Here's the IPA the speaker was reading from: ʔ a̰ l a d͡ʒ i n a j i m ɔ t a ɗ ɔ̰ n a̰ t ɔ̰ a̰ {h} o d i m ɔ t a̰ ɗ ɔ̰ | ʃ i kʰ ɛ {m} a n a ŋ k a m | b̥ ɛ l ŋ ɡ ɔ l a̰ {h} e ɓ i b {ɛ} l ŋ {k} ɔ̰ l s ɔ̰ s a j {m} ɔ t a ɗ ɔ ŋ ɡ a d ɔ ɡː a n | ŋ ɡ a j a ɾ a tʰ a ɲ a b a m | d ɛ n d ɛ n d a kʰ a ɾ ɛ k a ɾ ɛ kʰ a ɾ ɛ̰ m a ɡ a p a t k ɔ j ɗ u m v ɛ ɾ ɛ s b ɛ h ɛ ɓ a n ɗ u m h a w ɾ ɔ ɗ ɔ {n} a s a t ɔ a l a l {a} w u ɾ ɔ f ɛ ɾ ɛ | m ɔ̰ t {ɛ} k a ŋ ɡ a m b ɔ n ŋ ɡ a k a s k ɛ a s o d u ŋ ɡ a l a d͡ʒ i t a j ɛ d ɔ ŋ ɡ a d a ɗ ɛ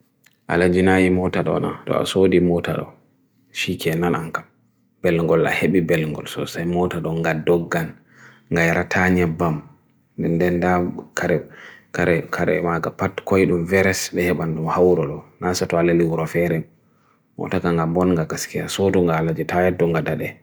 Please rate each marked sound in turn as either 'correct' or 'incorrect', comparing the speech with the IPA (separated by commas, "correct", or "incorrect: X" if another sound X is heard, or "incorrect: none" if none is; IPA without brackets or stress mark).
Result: incorrect: s, incorrect: n, correct, correct, incorrect: ɡ, correct, correct, incorrect: i, incorrect: a